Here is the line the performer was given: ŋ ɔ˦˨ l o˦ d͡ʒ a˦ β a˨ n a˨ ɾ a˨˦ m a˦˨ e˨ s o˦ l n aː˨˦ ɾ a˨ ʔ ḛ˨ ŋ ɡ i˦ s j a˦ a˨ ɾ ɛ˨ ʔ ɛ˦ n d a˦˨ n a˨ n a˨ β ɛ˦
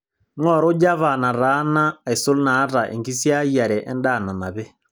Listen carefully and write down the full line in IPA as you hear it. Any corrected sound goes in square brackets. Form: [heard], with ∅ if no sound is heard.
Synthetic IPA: ŋ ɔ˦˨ [ɾ] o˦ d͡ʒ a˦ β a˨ n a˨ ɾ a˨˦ [n] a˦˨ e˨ s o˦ l n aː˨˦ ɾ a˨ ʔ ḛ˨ ŋ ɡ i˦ s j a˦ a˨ ɾ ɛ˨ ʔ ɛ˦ n d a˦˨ n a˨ n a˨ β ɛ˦